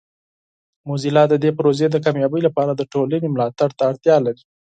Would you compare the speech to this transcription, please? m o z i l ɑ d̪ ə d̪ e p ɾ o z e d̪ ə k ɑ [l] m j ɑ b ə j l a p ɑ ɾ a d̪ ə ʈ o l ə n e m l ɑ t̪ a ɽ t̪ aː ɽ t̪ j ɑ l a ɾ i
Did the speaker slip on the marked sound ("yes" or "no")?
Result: yes